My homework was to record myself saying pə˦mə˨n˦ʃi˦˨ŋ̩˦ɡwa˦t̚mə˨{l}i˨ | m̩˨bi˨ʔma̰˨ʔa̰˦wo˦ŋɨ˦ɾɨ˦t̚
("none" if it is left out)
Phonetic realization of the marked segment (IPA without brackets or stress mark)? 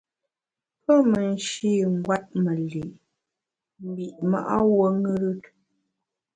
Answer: l